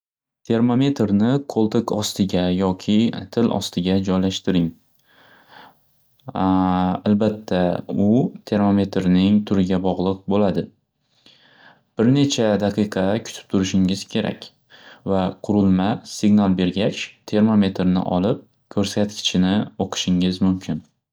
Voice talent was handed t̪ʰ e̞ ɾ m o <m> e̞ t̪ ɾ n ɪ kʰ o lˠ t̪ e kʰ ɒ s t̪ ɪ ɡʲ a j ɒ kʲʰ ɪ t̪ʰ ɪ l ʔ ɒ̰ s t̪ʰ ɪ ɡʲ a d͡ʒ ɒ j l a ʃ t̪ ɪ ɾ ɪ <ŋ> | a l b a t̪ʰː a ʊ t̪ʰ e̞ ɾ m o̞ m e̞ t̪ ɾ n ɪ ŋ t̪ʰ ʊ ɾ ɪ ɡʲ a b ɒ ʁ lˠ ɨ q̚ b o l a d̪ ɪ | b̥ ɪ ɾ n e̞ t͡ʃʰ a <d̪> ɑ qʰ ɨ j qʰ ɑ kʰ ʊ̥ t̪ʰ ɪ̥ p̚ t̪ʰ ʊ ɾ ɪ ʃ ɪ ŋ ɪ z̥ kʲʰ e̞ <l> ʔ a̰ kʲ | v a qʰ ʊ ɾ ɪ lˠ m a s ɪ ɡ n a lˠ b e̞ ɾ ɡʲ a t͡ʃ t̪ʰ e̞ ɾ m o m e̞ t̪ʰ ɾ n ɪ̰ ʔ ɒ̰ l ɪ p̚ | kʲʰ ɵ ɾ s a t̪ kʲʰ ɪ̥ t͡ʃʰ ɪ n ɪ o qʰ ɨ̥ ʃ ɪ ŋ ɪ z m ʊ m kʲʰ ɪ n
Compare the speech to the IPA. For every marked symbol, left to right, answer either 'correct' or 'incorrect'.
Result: correct, correct, correct, incorrect

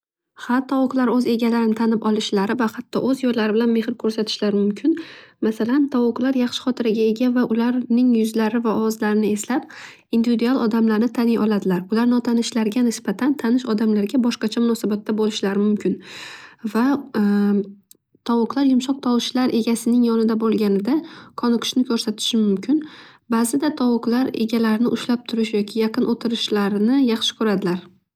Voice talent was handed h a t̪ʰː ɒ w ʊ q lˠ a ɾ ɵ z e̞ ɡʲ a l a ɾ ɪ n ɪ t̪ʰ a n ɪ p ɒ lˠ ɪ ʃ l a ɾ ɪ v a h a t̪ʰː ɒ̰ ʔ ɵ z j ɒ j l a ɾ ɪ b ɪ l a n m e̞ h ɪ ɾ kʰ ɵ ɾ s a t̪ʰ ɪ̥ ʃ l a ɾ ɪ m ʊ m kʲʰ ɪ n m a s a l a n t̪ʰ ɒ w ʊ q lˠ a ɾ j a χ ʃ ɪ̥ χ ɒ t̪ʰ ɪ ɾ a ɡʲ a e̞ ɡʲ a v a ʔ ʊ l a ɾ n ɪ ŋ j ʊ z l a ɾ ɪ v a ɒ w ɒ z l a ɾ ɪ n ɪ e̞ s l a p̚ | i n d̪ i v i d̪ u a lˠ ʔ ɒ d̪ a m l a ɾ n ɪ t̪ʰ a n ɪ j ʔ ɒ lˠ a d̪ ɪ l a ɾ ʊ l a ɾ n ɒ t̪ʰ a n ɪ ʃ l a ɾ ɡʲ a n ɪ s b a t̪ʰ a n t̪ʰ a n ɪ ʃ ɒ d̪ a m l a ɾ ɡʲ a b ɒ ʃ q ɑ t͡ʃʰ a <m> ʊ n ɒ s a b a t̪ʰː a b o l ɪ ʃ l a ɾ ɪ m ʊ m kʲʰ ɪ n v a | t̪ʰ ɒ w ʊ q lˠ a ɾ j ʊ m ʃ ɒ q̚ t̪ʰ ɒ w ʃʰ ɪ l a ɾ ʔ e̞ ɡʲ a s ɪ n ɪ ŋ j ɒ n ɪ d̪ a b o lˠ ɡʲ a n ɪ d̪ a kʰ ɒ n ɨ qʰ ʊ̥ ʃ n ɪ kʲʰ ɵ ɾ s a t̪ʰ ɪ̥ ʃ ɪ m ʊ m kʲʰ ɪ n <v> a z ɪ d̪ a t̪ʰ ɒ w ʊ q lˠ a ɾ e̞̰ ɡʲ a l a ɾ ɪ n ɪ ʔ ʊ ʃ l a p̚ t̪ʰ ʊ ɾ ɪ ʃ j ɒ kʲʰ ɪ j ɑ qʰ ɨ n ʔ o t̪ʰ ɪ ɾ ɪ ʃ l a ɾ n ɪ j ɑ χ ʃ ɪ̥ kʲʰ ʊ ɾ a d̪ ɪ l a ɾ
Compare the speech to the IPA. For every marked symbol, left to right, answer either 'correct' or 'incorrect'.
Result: correct, incorrect

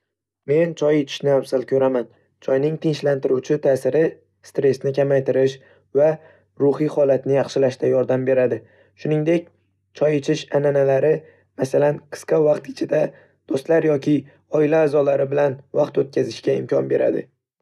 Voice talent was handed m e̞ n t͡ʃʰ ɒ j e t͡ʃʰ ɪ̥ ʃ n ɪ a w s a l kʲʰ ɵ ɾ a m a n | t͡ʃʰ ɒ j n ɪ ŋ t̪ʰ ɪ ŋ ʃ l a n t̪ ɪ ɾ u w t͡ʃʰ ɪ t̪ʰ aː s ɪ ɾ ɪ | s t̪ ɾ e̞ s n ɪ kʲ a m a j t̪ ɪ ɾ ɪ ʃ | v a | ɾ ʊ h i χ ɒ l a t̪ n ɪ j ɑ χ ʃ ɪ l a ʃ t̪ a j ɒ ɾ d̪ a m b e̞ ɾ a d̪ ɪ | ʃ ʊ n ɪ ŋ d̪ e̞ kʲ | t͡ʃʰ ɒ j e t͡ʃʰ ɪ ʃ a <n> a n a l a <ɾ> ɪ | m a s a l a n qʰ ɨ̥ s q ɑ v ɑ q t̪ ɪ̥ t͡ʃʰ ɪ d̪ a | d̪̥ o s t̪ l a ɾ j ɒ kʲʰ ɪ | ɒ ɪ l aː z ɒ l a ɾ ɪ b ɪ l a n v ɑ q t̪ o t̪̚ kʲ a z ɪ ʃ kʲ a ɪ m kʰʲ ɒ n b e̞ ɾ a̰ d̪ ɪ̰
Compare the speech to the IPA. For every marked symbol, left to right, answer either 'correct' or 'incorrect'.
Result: correct, correct

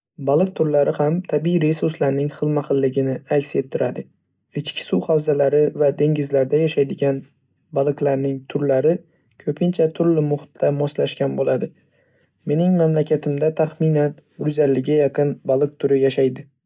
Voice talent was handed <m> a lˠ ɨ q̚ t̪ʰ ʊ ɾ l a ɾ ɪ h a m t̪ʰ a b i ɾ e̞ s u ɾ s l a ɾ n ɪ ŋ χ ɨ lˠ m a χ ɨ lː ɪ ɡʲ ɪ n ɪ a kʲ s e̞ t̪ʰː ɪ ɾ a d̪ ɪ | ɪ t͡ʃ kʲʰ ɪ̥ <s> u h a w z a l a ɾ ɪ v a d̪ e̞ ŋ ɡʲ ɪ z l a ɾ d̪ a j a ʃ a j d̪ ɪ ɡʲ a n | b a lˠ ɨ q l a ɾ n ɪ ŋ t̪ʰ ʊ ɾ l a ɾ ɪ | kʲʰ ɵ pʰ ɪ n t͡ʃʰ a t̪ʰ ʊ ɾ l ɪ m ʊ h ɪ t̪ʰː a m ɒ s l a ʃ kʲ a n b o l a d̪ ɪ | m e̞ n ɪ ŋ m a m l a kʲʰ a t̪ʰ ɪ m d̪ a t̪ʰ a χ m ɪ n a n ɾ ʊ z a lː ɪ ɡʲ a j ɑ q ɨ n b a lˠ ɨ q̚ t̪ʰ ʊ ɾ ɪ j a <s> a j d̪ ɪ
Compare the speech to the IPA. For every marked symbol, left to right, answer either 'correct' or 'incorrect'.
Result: incorrect, correct, incorrect

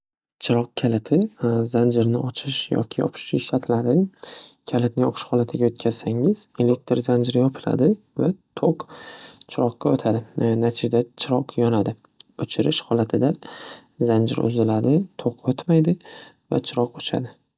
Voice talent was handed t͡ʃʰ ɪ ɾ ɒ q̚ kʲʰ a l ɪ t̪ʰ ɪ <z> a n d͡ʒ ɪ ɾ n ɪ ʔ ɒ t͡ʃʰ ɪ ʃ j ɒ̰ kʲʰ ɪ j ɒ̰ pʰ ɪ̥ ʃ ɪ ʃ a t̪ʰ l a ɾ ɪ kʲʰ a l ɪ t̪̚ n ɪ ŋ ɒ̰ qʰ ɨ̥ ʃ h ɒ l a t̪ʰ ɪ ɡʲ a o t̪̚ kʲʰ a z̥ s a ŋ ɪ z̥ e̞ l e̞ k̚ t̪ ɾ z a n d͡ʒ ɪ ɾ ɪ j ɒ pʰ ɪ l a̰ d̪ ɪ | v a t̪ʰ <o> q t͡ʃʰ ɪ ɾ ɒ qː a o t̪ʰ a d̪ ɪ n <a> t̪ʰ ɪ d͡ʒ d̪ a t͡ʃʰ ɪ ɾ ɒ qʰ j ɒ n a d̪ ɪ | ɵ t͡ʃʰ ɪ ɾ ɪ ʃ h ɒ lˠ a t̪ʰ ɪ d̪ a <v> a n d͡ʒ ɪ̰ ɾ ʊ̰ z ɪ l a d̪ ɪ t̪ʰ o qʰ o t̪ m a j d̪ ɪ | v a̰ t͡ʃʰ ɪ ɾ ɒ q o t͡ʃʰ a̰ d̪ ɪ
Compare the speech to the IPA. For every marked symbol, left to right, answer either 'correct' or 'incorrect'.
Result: correct, correct, correct, incorrect

